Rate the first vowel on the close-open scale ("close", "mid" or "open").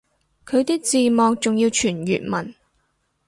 mid